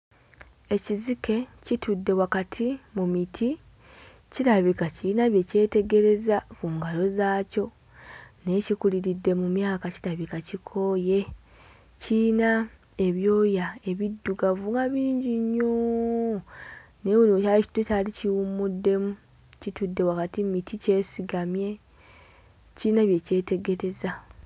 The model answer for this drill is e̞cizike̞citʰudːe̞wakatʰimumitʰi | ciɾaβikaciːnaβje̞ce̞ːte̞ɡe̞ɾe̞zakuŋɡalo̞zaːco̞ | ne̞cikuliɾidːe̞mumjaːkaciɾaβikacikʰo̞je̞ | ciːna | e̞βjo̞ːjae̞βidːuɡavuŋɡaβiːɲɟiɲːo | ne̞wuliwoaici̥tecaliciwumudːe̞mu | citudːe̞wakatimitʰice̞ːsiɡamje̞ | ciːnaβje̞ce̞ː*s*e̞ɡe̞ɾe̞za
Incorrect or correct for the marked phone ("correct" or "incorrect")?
incorrect